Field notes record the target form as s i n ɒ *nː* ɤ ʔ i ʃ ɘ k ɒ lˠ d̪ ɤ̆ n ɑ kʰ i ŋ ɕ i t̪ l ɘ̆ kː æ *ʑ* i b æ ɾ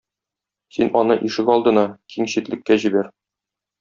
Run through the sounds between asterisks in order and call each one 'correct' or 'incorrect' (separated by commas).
incorrect, correct